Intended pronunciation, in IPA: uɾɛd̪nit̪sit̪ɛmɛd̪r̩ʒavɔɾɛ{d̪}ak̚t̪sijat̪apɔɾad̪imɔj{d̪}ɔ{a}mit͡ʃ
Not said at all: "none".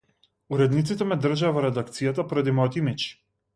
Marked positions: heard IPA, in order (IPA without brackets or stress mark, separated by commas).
d̪, t̪, i